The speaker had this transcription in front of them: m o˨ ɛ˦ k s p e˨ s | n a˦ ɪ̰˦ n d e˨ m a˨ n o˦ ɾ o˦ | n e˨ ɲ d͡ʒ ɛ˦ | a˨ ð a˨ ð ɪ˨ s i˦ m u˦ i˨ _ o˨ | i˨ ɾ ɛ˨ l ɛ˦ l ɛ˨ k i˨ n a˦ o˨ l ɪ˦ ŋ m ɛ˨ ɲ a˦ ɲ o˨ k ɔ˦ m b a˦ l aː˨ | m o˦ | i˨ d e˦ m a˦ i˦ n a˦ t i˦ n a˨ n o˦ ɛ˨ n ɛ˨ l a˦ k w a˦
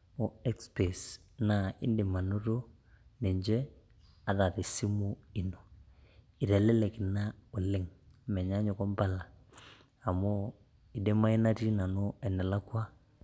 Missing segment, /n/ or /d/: n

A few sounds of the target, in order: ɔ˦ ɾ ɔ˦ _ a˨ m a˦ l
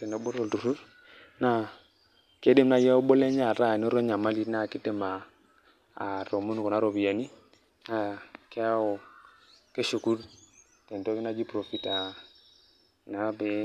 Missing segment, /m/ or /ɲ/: ɲ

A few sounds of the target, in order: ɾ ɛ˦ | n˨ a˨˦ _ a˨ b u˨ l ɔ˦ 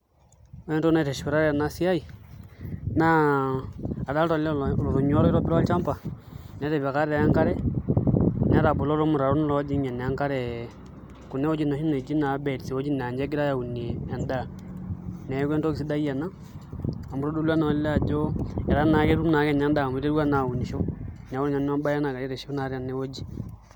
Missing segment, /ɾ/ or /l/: ɾ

